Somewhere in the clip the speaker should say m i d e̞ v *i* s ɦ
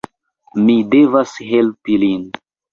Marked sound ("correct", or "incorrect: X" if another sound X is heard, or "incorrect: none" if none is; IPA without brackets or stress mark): incorrect: a